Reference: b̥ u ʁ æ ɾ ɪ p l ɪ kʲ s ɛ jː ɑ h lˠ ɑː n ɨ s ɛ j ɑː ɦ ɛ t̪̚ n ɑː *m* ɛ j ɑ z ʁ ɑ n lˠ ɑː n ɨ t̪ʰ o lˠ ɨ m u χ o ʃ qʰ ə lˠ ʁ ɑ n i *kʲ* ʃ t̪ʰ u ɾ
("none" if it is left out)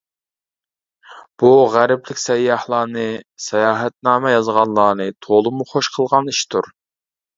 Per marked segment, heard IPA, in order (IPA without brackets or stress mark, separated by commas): m, none